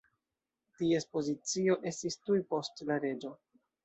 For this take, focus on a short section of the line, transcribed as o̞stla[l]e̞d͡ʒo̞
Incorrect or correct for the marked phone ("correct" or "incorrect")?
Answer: incorrect